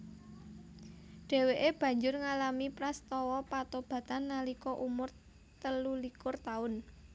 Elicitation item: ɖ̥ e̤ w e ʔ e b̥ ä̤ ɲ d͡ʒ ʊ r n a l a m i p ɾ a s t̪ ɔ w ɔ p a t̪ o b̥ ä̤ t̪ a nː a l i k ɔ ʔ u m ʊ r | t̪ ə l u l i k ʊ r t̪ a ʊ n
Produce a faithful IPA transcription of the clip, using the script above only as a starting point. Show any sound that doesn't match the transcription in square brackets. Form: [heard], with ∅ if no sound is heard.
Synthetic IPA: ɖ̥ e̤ w e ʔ e b̥ ä̤ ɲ d͡ʒ ʊ r [ŋ] a l a m i p ɾ a s t̪ ɔ w ɔ p a t̪ o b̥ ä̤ t̪ a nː a l i k ɔ ʔ u m ʊ r | t̪ ə l u l i k ʊ r t̪ a ʊ n

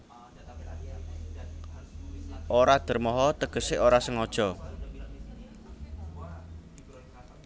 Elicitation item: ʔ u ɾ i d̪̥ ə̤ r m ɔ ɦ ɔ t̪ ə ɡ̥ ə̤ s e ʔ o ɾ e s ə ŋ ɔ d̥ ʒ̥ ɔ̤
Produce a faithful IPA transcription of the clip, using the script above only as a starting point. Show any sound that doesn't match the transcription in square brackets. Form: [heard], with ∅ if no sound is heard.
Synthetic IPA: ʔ [o] ɾ [a] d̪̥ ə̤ r m ɔ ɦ ɔ t̪ ə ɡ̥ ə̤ s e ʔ o ɾ [a] s ə ŋ ɔ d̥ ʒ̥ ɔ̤

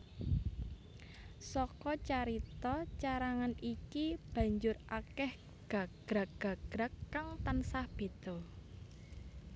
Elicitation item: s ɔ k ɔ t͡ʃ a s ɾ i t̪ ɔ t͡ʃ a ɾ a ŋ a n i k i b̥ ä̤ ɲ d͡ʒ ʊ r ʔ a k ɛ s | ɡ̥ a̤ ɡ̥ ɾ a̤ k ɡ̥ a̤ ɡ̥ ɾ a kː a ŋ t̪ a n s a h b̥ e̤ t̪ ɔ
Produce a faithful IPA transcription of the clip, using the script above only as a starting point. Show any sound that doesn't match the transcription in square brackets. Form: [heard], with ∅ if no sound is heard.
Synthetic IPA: s ɔ k ɔ t͡ʃ a [∅] ɾ i t̪ ɔ t͡ʃ a ɾ a ŋ a n i k i b̥ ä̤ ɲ d͡ʒ ʊ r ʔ a k ɛ [h] | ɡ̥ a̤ ɡ̥ ɾ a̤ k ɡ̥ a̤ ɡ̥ ɾ a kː a ŋ t̪ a n s a h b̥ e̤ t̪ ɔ

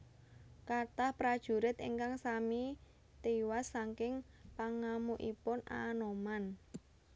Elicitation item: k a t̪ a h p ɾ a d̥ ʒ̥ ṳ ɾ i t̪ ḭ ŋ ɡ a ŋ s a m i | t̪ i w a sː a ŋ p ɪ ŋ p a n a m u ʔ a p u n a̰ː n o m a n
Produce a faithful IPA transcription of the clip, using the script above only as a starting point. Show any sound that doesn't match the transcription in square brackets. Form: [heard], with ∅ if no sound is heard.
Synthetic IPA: k a t̪ a h p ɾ a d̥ ʒ̥ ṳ ɾ [ɪ] t̪ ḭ ŋ [k] a ŋ s a m i | t̪ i w a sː a ŋ [k] ɪ ŋ p a [ŋ] a m u ʔ [i] p [ʊ] n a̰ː n o m a n

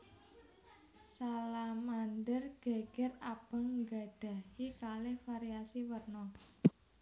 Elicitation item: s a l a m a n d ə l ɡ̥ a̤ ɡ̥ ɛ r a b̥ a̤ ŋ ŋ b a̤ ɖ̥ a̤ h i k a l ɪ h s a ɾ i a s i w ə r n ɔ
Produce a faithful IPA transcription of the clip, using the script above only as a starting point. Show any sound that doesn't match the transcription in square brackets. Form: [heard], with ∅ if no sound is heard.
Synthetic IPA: s a l a m a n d ə [r] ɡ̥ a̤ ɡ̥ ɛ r a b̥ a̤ ŋ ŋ [ɡ] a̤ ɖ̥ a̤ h i k a l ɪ h [f] a ɾ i a s i w ə r n ɔ

